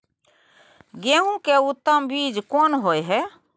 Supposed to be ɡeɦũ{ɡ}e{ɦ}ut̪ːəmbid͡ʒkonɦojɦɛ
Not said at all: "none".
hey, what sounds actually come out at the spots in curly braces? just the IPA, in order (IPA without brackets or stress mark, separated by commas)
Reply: k, none